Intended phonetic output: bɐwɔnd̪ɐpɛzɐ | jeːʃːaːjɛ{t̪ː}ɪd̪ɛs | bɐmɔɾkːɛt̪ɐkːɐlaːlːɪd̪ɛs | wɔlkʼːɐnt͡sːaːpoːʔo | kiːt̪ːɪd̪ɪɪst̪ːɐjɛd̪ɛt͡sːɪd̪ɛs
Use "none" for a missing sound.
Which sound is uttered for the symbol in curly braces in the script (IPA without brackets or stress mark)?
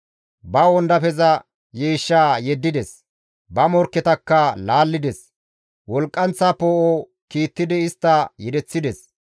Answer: d̪ː